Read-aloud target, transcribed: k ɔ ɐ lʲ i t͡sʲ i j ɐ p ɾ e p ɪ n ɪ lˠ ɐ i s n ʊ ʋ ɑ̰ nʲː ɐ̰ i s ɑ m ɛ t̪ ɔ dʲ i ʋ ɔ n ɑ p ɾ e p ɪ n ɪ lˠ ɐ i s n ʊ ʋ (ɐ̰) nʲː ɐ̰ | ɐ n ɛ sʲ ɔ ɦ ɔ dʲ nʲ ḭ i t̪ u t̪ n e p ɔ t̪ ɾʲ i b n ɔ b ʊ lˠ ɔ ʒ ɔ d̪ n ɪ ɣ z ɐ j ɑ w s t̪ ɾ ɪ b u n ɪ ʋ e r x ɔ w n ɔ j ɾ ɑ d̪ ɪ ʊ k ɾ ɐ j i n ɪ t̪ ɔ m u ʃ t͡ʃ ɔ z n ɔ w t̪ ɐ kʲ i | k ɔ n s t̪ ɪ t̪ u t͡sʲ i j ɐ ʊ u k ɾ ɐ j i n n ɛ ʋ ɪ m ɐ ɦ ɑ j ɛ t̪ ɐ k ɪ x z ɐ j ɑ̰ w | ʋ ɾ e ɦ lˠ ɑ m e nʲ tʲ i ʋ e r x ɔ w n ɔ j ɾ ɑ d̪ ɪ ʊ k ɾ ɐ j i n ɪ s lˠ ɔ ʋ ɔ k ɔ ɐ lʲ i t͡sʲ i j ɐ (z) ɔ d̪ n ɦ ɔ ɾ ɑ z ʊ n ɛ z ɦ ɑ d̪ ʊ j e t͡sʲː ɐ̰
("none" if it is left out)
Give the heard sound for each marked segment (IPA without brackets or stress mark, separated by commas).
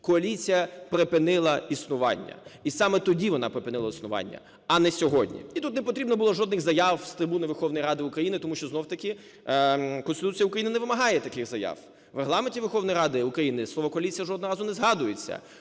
ɑ̰, ʒ